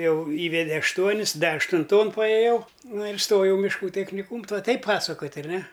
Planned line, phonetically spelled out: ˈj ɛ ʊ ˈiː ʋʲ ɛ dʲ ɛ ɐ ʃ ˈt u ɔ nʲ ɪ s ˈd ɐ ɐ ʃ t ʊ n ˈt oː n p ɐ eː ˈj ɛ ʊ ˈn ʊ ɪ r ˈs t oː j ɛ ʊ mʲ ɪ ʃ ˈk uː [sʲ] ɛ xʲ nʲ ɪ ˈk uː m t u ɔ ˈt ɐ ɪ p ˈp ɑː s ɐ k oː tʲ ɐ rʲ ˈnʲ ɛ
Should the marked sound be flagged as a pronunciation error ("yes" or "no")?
yes